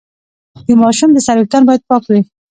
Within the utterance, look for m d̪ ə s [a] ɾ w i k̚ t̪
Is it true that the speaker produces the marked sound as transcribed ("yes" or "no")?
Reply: yes